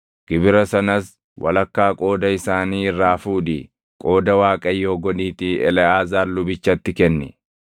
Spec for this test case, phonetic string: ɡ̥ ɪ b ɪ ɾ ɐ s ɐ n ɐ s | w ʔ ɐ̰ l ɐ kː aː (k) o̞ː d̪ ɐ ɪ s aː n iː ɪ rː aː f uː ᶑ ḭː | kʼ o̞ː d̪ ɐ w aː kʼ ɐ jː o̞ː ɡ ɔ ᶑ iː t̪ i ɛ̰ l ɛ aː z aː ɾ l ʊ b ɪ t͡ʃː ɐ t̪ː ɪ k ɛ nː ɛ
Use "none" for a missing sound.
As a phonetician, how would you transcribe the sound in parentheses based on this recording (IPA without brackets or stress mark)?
kʼ